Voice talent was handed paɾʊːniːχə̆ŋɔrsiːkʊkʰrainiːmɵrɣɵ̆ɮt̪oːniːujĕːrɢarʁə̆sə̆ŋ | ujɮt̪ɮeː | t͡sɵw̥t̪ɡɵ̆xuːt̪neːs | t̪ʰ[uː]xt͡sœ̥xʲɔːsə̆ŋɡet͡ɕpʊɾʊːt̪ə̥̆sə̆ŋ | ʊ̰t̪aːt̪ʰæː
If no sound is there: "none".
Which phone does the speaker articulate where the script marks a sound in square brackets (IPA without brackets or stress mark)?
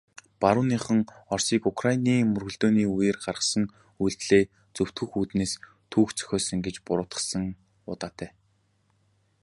uː